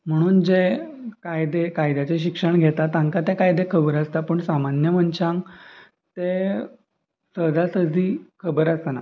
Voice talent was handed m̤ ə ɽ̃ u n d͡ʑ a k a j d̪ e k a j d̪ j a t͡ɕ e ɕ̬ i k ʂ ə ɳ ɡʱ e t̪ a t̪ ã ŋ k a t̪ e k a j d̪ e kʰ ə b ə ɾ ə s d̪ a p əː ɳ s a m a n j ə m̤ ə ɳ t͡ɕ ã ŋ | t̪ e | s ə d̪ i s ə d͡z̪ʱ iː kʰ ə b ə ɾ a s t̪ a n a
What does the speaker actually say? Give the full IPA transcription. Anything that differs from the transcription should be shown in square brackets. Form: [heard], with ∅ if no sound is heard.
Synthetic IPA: m̤ ə ɽ̃ [uː] n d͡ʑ [e] k a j d̪ e k a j d̪ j a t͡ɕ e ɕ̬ i k ʂ ə ɳ ɡʱ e t̪ a t̪ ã ŋ k a t̪ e k a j d̪ e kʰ ə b ə ɾ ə s [t̪] a p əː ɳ s a m a n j ə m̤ ə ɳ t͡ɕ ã ŋ | t̪ e | s ə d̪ [a] s ə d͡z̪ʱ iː kʰ ə b ə ɾ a s t̪ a n a